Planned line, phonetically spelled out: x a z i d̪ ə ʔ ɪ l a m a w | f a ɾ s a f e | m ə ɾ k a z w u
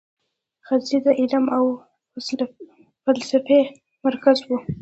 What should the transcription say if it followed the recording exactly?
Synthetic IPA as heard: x a z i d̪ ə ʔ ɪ l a m a w | f a l s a f e | m a ɾ k a z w u